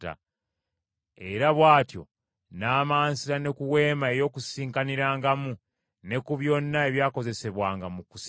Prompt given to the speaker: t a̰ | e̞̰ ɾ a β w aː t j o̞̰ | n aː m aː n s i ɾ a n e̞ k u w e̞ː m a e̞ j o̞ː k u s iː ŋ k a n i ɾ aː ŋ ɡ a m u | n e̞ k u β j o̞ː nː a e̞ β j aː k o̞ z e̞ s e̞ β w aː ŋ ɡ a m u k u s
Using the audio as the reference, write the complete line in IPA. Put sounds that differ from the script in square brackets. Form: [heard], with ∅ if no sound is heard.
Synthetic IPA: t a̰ | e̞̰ ɾ a β w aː t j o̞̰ | n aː m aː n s i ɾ a n e̞ k u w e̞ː m a e̞ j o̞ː k u s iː ŋ k a n i ɾ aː ŋ ɡ a m u | n e̞ k u β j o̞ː nː a e̞ β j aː k o̞ z e̞ s e̞ β w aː ŋ ɡ a m u k u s